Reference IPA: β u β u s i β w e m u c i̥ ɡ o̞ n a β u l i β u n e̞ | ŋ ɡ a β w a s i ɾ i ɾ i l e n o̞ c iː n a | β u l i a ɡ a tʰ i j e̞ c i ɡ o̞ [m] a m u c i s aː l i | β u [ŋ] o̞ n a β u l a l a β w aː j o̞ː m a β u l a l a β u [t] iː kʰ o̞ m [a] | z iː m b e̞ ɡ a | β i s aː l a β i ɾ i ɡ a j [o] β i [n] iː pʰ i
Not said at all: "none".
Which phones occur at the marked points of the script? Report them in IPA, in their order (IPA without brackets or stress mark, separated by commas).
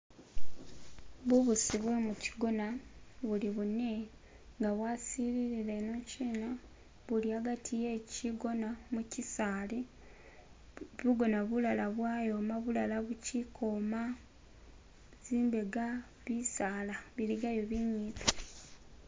n, ɡ, c, a, o, ɲ